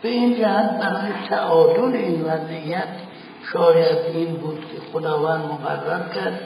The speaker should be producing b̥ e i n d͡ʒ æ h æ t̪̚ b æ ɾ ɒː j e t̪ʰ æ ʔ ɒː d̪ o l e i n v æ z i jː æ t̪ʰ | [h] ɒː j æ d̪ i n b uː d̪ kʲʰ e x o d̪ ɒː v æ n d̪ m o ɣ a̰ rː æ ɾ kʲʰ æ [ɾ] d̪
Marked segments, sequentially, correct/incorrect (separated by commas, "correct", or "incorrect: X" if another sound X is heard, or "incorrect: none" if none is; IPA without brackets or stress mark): incorrect: ʃ, correct